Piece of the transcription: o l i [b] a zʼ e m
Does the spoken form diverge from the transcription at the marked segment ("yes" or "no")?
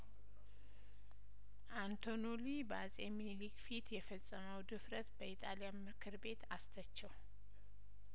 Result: no